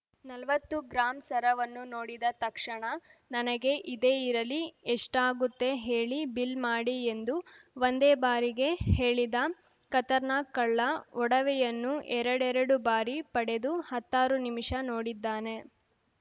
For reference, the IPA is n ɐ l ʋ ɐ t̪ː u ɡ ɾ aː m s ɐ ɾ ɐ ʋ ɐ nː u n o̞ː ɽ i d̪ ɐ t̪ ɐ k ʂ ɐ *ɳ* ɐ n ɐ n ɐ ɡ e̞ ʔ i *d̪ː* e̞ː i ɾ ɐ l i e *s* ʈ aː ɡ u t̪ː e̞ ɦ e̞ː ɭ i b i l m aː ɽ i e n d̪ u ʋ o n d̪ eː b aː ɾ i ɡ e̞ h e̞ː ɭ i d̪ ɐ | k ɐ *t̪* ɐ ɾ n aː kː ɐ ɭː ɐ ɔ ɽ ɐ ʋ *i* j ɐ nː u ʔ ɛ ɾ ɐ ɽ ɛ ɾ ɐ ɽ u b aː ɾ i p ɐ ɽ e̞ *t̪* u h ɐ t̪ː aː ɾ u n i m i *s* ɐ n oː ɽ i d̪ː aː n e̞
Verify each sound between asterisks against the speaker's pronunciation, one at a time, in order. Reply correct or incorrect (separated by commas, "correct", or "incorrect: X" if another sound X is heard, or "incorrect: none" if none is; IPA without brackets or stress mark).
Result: correct, incorrect: d̪, incorrect: ʂ, correct, incorrect: ɛ, incorrect: d̪, incorrect: ʂ